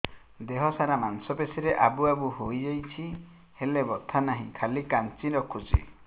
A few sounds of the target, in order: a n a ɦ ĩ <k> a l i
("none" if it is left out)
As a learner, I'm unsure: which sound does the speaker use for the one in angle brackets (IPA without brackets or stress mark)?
kʰ